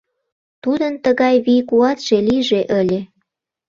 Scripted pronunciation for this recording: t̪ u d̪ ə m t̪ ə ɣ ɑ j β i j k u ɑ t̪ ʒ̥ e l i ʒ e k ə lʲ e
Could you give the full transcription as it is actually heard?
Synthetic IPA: t̪ u d̪ ə n t̪ ə ɣ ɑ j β i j k u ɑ t̪ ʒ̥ e l i ʒ e ʔ ə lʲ e